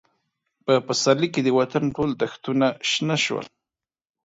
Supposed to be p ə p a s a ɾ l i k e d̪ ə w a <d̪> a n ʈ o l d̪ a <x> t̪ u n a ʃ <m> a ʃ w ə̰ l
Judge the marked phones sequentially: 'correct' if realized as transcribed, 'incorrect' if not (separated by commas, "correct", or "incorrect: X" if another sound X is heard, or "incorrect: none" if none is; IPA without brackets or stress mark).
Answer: incorrect: t̪, correct, incorrect: n